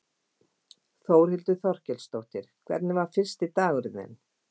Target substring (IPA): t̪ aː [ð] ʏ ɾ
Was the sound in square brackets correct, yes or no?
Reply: no